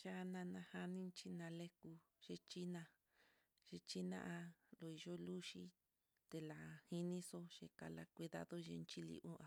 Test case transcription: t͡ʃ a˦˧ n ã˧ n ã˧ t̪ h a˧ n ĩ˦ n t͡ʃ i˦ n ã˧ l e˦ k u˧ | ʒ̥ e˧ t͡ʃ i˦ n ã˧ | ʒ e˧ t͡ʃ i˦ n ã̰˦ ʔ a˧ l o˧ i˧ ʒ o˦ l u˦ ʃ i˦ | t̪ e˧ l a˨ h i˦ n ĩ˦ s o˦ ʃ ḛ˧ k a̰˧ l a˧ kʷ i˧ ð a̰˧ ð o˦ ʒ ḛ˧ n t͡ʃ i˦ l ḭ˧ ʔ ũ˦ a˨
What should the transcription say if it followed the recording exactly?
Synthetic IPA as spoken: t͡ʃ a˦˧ n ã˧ n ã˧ h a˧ n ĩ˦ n t͡ʃ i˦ n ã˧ l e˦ k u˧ | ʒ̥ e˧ t͡ʃ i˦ n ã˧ | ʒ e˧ t͡ʃ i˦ n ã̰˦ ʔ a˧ l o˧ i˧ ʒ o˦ l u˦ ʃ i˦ | t̪ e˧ l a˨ h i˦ n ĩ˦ s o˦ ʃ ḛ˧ k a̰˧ l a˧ kʷ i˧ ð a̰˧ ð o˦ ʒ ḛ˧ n t͡ʃ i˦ l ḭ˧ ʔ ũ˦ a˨

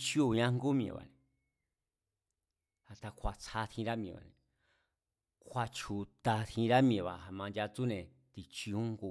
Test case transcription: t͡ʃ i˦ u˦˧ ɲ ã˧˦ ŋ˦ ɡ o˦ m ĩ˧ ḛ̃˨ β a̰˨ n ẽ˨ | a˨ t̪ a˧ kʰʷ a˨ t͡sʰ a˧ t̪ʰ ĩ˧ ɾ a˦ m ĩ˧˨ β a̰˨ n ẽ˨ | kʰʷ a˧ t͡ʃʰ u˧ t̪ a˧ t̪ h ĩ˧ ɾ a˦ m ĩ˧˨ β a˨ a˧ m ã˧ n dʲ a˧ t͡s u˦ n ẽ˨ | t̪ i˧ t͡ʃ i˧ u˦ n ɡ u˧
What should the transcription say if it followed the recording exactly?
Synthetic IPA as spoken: t͡ʃ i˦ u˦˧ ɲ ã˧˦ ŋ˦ ɡ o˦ m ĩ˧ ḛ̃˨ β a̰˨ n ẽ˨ | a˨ t̪ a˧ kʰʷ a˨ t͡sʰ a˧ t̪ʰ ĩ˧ ɾ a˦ m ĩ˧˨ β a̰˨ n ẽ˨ | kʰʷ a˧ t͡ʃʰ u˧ t̪ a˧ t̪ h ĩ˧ ɾ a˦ m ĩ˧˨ β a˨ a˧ m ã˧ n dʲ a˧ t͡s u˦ n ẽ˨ | t̪ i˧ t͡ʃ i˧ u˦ ŋ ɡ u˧

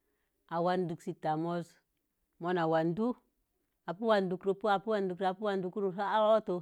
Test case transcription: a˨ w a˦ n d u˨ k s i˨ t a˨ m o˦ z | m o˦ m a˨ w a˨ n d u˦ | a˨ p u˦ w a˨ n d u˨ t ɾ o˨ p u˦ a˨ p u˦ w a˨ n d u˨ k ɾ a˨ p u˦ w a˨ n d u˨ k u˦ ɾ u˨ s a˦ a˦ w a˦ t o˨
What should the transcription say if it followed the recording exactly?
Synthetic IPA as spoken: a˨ w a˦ n d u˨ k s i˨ t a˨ m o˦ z | m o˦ n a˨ w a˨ n d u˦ | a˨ p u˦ w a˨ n d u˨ k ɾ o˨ p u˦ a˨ p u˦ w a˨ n d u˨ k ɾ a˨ p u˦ w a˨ n d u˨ k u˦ ɾ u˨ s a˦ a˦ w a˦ t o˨

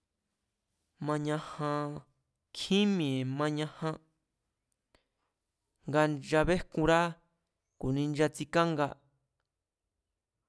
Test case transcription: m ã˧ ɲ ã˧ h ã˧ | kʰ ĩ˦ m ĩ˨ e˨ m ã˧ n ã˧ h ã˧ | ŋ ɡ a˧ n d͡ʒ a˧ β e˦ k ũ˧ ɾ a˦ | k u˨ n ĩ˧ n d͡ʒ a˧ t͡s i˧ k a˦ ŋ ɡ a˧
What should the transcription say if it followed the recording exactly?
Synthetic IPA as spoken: m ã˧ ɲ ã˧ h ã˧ | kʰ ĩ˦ m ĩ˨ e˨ m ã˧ ɲ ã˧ h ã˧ | ŋ ɡ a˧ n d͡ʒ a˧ β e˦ k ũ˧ ɾ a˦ | k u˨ n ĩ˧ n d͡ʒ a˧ t͡s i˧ k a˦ ŋ ɡ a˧

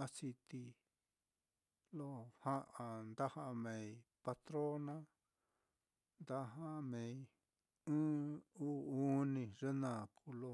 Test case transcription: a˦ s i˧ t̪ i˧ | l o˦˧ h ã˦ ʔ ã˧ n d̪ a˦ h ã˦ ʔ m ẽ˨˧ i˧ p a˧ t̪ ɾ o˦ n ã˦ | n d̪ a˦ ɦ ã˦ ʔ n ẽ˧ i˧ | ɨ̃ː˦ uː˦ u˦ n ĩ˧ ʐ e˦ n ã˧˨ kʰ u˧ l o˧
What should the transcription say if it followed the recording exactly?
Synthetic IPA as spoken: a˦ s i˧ t̪ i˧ | l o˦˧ h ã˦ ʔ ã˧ n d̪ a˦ h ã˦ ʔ m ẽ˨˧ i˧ p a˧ t̪ ɾ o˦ n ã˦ | n d̪ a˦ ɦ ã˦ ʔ m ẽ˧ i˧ | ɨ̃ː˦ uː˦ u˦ n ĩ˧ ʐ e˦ n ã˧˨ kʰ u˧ l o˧

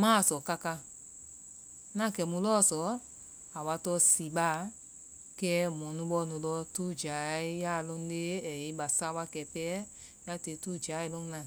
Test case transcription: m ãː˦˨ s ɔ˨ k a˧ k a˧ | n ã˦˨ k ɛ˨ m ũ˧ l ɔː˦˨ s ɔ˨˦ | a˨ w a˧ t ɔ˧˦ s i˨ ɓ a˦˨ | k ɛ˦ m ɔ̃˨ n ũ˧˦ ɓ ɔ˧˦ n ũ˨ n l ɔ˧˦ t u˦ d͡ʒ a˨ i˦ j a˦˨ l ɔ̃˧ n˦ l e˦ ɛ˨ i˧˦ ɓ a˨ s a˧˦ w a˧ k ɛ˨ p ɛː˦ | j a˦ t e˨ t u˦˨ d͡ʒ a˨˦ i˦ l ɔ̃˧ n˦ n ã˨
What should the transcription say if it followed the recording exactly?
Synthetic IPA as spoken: m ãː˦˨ s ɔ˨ k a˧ k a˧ | n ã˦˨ k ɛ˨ m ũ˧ l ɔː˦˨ s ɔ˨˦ | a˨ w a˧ t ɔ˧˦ s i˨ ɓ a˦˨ | k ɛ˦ m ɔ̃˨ n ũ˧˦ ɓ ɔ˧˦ n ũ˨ l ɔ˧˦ t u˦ d͡ʒ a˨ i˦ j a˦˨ l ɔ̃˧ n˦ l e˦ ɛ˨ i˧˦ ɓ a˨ s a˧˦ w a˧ k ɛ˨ p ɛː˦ | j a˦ t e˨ t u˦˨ d͡ʒ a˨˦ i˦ l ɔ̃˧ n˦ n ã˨

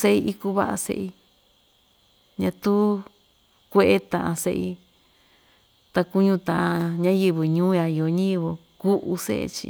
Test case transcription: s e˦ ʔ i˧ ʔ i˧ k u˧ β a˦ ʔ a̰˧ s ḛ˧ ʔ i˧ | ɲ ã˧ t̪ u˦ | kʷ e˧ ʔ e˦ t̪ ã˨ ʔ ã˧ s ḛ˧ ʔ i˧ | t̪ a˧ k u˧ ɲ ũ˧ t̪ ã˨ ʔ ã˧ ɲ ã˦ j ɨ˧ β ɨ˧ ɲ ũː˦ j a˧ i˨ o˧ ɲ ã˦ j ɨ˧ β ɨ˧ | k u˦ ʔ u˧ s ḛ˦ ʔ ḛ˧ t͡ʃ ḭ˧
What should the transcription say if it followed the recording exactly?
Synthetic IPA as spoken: s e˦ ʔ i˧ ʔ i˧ k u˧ β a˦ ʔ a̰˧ s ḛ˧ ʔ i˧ | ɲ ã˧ t̪ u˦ | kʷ e˧ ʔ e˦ t̪ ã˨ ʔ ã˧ s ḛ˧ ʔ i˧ | t̪ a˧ k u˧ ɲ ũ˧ t̪ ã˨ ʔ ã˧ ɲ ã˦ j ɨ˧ β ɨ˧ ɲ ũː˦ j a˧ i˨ o˧ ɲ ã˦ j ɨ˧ β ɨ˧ | k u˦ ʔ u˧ s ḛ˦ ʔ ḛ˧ t͡ʃ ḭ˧

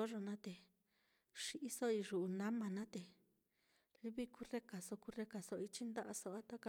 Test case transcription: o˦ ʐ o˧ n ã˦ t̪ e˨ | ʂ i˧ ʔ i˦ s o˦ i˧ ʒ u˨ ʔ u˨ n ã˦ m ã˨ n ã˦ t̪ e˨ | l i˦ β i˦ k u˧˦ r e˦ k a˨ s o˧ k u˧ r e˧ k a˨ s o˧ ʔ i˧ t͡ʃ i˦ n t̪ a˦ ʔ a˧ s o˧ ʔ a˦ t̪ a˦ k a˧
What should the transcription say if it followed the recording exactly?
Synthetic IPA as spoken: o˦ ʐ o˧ n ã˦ t̪ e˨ | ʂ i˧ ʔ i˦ s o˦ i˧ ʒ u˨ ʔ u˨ n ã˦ m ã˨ n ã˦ t̪ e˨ | l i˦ β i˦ k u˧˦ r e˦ k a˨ s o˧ k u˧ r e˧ k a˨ s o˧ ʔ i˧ t͡ʃ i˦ n d̪ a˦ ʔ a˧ s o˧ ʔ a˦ t̪ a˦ k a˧

